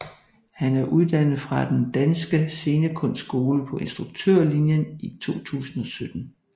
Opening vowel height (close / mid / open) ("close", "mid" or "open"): open